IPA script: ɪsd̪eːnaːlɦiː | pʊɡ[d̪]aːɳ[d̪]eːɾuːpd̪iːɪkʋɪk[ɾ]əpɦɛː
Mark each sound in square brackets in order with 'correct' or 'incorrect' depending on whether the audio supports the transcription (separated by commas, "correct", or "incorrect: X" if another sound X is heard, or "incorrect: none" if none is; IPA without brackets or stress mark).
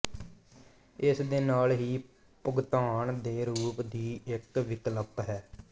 incorrect: t̪, correct, incorrect: l